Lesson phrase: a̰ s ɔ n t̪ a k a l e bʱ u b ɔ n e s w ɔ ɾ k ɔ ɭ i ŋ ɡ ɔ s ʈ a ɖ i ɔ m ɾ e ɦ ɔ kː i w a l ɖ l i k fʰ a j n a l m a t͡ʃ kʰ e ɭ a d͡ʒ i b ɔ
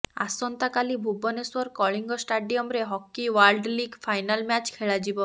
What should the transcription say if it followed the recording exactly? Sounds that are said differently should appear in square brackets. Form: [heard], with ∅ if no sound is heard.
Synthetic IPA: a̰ s ɔ n t̪ a k a l [i] bʱ u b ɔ n e s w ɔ ɾ k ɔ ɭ i ŋ ɡ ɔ s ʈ a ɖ i ɔ m ɾ e ɦ ɔ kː i w a l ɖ l i [ɡ] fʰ a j n a l m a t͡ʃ kʰ e ɭ a d͡ʒ i b ɔ

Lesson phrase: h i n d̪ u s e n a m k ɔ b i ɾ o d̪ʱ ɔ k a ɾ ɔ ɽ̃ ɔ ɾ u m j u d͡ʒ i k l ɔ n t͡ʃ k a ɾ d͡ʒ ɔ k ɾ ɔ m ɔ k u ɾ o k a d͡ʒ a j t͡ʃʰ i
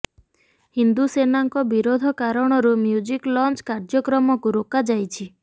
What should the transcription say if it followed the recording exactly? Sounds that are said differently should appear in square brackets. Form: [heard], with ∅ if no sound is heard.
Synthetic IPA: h i n d̪ u s e n a [ŋ] k ɔ b i ɾ o d̪ʱ ɔ k a ɾ ɔ ɽ̃ ɔ ɾ u m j u d͡ʒ i k l ɔ n t͡ʃ k a ɾ d͡ʒ ɔ k ɾ ɔ m ɔ k u ɾ o k a d͡ʒ a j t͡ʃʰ i

